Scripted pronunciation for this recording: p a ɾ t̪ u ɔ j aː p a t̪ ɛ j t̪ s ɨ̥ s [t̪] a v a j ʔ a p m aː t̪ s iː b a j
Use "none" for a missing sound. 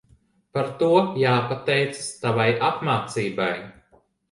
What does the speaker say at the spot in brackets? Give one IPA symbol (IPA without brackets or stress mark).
t̪